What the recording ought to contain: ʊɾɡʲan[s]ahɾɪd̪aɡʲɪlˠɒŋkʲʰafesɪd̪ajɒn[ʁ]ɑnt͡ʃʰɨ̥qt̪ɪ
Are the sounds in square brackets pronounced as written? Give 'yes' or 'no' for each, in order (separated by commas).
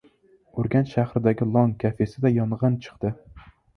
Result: no, yes